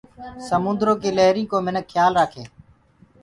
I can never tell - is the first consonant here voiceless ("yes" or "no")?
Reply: yes